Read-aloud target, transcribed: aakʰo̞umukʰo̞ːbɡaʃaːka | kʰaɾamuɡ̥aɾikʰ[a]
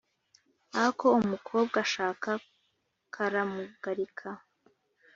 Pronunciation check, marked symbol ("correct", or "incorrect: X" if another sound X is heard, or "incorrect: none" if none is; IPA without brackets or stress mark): correct